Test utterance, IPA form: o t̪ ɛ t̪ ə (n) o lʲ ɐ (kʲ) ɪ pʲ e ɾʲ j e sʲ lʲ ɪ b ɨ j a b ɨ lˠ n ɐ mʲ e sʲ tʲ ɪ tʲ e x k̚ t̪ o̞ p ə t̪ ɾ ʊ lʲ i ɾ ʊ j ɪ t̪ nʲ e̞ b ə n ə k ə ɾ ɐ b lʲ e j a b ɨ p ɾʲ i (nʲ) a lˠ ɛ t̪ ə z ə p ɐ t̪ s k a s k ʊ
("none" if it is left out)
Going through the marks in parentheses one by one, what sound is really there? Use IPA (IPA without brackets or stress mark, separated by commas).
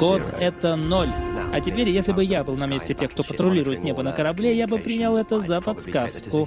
n, tʲ, nʲ